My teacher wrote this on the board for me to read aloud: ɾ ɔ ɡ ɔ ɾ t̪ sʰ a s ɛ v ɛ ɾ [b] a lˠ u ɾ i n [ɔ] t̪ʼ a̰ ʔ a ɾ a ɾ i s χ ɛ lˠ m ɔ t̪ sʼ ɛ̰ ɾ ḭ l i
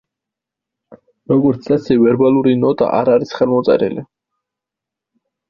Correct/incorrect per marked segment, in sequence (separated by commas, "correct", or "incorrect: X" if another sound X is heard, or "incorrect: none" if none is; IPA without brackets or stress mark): correct, correct